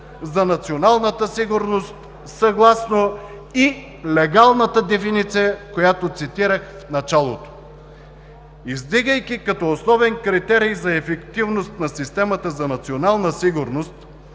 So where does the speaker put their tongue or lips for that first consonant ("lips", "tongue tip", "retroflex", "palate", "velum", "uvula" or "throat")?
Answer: tongue tip